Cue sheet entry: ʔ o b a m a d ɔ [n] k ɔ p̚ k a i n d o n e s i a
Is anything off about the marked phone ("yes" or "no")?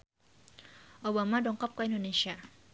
yes